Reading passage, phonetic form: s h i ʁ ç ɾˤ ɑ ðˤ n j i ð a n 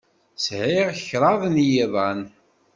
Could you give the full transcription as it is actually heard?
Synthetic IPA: s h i ʁ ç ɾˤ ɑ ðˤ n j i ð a n